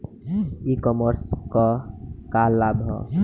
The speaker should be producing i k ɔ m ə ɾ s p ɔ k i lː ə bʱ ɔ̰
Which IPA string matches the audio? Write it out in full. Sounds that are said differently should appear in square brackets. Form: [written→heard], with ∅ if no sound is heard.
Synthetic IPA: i k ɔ m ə ɾ s [p→k] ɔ k [i→a] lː [ə→a] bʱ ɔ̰